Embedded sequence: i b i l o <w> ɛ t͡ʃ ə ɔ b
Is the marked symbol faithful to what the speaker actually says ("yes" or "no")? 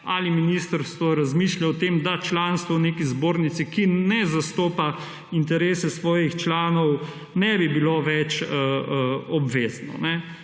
no